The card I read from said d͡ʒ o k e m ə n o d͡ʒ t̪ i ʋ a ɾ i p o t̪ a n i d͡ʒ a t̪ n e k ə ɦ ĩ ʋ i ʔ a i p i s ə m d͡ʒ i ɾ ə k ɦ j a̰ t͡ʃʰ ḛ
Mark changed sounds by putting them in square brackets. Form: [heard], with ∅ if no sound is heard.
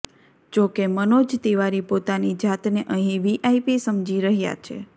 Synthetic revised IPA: d͡ʒ o k e m ə n o d͡ʒ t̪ i ʋ a ɾ i p o t̪ a n i d͡ʒ a t̪ n e [ʔ] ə ɦ ĩ ʋ i ʔ a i p i s ə m d͡ʒ i ɾ ə [∅] ɦ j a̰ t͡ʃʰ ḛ